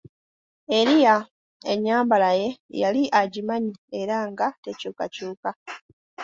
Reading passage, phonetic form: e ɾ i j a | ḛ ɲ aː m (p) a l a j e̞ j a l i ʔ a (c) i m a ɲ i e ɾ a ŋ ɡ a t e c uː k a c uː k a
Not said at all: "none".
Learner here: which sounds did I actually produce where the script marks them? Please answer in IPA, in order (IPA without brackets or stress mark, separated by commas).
b, ɟ